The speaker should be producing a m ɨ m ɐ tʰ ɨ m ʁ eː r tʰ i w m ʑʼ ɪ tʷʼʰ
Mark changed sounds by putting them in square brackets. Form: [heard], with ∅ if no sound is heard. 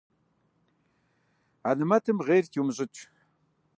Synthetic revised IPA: a [n] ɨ m ɐ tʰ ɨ m ʁ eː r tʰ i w m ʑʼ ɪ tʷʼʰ

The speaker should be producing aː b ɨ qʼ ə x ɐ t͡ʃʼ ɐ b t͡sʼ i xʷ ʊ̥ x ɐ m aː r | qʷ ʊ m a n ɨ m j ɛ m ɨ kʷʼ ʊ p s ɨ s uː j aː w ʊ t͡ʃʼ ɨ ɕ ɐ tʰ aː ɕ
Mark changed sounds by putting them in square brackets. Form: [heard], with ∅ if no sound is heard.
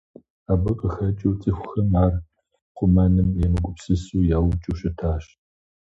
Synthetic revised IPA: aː b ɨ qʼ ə x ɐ t͡ʃʼ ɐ [w] t͡sʼ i xʷ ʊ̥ x ɐ m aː r | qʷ ʊ m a n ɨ m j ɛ m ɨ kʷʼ ʊ p s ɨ s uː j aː w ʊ t͡ʃʼ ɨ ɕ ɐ tʰ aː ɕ

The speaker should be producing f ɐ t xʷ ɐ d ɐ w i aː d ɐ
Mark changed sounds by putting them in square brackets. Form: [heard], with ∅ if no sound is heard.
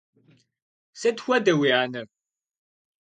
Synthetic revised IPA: [s] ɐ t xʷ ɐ d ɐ w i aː [n] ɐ

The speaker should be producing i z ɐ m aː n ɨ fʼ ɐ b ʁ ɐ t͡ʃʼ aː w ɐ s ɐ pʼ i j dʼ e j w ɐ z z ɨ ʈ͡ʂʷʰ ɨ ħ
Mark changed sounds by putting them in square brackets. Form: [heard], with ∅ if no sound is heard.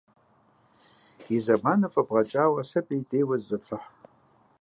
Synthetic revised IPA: i z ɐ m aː n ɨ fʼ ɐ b ʁ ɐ t͡ʃʼ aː w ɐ s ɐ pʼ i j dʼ e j w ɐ z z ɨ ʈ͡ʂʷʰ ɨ ħ

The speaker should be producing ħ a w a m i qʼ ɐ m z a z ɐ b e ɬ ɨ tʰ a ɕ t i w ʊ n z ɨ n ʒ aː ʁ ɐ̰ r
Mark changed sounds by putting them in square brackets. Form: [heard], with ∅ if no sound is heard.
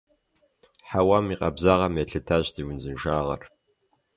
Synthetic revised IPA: ħ a w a m i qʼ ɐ [b] z a [ʁ] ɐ [m] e ɬ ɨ tʰ a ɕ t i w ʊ n z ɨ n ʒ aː ʁ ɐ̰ r

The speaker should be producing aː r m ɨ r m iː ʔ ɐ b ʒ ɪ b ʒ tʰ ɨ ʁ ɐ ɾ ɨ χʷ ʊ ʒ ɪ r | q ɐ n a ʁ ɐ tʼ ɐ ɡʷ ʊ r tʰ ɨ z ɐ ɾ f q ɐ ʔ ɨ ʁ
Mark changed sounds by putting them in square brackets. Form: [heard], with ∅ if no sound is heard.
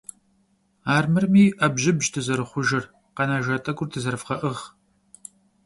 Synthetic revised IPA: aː r m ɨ r m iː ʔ ɐ b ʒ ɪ b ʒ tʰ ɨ [z] ɐ ɾ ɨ χʷ ʊ ʒ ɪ r | q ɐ n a [ʒ] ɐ tʼ ɐ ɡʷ ʊ r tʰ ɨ z ɐ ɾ f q ɐ ʔ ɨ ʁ

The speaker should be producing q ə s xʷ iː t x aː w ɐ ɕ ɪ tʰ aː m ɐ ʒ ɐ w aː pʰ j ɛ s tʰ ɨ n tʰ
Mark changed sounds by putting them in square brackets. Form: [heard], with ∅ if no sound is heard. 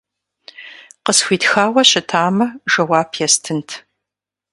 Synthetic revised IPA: q ə s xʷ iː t x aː w ɐ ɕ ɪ tʰ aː m ɐ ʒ ɐ w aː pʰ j ɛ s tʰ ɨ n tʰ

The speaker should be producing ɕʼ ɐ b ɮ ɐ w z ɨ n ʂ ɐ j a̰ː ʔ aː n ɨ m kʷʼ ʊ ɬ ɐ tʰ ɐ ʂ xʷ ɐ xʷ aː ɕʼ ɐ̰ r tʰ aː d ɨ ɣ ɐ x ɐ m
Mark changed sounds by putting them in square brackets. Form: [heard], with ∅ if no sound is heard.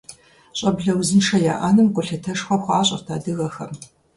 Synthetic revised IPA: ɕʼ ɐ b ɮ ɐ w z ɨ n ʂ ɐ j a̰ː ʔ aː n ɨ m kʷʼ ʊ ɬ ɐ tʰ ɐ ʂ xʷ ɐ xʷ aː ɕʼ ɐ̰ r tʰ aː d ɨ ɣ ɐ x ɐ m

